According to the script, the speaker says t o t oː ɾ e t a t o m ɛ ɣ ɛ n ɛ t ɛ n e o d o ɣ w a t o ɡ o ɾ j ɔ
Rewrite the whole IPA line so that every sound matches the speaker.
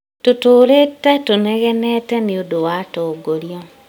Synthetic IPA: t o t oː ɾ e t a t o n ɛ ɣ ɛ n ɛ t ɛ n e o d o w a t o ɡ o ɾ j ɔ